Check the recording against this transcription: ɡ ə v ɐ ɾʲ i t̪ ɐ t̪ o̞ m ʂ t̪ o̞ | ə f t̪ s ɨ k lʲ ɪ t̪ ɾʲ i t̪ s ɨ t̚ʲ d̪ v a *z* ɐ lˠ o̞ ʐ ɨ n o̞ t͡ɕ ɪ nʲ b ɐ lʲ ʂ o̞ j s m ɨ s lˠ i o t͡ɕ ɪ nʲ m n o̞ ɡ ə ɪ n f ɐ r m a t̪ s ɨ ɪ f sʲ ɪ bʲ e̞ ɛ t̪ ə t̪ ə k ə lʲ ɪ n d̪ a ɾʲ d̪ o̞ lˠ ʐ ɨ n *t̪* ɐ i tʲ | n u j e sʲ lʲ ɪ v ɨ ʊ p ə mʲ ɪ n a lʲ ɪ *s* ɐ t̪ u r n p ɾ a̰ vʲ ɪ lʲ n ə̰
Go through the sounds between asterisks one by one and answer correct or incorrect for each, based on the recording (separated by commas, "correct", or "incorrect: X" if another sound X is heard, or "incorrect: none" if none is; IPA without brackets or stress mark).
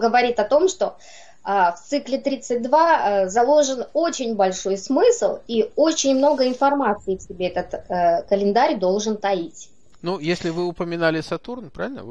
correct, correct, correct